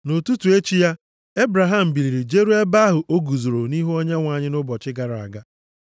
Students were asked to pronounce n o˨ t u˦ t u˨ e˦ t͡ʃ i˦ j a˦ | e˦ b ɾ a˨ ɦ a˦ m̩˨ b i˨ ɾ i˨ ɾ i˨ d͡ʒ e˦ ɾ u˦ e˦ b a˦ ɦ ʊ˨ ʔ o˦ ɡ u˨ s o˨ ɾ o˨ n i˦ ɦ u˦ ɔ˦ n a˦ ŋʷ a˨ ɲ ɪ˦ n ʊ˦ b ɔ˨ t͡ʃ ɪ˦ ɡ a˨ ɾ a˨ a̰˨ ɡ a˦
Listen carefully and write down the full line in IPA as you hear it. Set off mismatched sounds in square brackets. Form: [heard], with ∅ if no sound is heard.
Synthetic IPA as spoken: n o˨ t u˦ t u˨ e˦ t͡ʃ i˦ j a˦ | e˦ b ɾ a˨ ɦ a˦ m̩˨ b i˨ ɾ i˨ ɾ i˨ d͡ʒ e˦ ɾ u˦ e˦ b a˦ ɦ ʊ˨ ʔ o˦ ɡ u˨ [z] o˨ ɾ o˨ n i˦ ɦ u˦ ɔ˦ [ɲ] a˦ ŋʷ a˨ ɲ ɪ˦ n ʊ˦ b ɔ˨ t͡ʃ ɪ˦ ɡ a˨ ɾ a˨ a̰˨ ɡ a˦